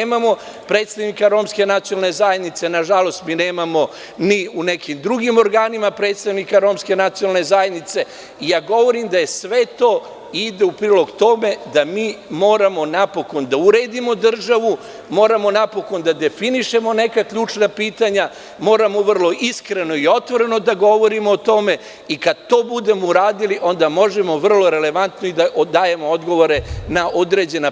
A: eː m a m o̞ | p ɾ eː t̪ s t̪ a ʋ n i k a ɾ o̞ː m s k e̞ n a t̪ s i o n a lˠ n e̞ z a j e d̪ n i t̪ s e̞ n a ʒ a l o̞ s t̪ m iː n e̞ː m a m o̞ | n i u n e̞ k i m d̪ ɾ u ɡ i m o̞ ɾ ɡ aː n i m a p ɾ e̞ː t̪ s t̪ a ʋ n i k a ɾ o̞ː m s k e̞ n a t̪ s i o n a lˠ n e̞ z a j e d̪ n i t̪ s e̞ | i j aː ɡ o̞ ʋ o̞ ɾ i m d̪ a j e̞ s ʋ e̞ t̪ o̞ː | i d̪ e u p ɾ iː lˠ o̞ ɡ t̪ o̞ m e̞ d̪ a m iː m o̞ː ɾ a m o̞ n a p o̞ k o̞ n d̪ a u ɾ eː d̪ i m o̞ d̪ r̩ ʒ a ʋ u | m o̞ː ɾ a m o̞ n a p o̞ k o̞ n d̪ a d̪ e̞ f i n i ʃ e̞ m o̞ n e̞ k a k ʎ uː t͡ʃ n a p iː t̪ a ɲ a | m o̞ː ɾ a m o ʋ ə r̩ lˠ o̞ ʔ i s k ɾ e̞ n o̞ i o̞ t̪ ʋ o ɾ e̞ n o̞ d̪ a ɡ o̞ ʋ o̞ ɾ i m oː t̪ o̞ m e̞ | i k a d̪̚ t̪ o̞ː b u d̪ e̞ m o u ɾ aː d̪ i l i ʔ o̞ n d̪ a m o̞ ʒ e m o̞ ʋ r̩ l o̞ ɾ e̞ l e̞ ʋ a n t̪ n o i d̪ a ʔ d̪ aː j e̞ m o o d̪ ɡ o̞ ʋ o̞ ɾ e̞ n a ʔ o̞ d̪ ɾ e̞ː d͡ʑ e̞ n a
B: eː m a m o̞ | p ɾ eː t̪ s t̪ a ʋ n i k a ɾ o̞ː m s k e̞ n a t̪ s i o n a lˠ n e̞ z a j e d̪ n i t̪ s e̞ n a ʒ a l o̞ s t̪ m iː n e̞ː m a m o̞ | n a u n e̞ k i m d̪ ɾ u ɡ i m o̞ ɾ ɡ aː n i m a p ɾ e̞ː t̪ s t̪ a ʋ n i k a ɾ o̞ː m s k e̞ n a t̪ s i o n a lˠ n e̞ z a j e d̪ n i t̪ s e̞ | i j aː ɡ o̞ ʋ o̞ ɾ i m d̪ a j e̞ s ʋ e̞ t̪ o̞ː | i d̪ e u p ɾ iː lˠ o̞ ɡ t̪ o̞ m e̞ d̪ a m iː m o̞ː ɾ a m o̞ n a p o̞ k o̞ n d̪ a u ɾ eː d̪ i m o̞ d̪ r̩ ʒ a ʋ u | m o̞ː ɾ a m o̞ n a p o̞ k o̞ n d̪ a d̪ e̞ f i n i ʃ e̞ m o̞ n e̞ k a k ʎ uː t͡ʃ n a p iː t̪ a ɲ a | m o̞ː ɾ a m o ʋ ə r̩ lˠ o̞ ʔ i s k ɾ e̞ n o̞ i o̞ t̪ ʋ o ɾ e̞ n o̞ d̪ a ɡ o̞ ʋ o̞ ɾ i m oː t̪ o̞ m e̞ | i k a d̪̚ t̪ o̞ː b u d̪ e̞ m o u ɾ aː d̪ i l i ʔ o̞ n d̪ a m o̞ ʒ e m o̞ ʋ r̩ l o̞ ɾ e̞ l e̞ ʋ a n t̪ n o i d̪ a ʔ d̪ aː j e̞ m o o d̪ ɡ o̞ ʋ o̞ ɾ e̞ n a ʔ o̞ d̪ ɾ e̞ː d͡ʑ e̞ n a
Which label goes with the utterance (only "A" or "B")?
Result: A